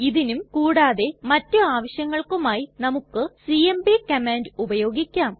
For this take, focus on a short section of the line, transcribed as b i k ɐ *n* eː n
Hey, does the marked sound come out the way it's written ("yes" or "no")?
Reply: no